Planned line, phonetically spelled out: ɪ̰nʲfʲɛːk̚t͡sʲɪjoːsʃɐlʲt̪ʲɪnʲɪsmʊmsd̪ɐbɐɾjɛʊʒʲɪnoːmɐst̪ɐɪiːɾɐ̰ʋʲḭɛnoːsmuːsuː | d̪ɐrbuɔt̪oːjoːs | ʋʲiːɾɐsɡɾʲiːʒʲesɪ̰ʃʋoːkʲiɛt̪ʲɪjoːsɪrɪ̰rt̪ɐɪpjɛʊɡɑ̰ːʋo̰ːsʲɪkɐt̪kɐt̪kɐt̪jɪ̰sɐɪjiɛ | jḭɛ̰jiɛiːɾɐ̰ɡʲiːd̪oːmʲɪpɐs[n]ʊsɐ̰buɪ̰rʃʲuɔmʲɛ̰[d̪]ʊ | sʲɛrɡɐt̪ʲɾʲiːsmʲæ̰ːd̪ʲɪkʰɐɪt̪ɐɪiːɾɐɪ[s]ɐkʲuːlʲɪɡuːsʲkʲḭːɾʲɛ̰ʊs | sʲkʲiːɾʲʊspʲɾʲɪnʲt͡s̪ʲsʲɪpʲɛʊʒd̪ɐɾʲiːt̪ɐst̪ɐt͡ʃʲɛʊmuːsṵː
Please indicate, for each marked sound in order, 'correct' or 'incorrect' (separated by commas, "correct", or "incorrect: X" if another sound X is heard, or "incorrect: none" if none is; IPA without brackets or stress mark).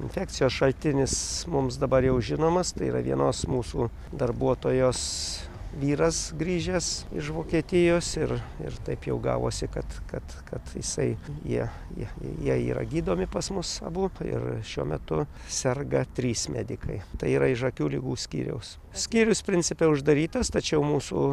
incorrect: m, incorrect: t̪, incorrect: ʃ